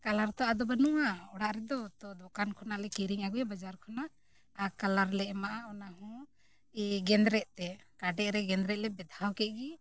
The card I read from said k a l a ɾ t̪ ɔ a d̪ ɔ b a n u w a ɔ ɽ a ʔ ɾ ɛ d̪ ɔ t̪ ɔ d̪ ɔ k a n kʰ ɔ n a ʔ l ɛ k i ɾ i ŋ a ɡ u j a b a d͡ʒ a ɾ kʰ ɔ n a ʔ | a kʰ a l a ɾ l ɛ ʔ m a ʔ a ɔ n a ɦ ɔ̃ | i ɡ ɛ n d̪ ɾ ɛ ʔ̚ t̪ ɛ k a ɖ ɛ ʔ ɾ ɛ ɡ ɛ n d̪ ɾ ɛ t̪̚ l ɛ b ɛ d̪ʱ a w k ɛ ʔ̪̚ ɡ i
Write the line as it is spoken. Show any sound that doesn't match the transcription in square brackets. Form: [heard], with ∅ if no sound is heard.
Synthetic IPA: k a l a ɾ t̪ ɔ a d̪ ɔ b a n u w a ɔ ɽ a ʔ ɾ ɛ d̪ ɔ t̪ ɔ d̪ ɔ k a n kʰ ɔ n a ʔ l ɛ k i ɾ i ŋ a ɡ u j a b a d͡ʒ a ɾ kʰ ɔ n a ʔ | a [k] a l a ɾ l ɛ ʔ m a ʔ a ɔ n a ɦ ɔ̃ | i ɡ ɛ n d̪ ɾ ɛ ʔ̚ t̪ ɛ k a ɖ ɛ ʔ ɾ ɛ ɡ ɛ n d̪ ɾ ɛ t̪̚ l ɛ b ɛ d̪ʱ a w k ɛ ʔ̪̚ ɡ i